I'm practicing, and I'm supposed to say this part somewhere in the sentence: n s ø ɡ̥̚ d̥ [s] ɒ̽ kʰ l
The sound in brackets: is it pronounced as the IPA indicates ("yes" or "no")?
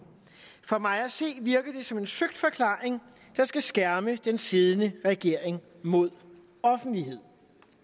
no